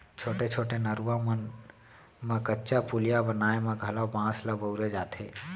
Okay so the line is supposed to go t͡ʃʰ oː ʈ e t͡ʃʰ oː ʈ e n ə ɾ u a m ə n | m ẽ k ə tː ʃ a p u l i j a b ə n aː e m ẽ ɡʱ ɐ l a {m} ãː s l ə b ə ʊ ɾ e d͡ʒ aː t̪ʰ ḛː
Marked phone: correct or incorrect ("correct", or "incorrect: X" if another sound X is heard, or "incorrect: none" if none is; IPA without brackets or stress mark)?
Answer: incorrect: b